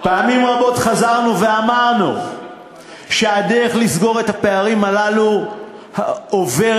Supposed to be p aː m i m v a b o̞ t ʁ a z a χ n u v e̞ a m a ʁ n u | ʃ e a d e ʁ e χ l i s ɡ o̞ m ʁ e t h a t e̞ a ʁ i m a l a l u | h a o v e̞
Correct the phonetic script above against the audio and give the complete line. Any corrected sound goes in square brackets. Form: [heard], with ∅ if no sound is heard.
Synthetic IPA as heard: p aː m i m [ʁ] a b o̞ t [χ] a z a [ʁ] n u v e̞ a m a ʁ n u | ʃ e a d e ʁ e χ l i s ɡ o̞ [∅] ʁ e t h a [p] e̞ a ʁ i m a l a l u | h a o v e̞